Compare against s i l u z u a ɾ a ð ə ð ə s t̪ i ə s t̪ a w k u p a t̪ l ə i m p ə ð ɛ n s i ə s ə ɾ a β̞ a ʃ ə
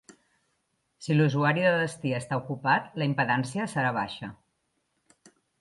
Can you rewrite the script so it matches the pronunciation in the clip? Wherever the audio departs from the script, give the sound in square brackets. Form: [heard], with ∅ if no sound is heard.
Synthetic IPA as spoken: s i l u z u a ɾ [i] ð ə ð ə s t̪ i ə s t̪ a [u] k u p a t̪ l ə i m p ə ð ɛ n s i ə s ə ɾ a β̞ a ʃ ə